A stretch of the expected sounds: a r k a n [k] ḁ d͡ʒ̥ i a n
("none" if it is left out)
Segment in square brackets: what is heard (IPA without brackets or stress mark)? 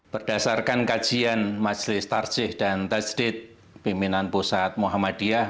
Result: k